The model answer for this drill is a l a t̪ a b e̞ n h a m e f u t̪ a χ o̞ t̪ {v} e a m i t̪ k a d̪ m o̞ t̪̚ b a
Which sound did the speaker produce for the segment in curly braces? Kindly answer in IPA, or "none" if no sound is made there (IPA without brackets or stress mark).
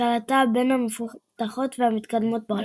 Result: v